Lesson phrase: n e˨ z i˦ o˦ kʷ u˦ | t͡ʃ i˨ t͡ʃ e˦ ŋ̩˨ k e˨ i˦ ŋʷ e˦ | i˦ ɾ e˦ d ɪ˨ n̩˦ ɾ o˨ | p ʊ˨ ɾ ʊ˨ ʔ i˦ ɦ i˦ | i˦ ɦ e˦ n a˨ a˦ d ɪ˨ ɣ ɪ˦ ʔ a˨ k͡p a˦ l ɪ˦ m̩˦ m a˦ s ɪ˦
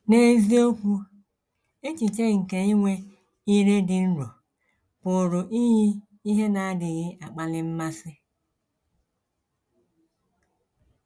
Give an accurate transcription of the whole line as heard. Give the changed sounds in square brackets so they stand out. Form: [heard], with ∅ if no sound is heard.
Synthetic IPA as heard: n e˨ z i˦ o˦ kʷ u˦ | t͡ʃ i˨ t͡ʃ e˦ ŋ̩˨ k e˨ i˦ ŋʷ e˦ | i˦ ɾ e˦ d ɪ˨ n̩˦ ɾ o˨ | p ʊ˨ ɾ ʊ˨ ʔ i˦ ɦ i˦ | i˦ ɦ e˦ n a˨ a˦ d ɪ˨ ɣ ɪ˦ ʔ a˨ k͡p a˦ l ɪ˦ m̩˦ m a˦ s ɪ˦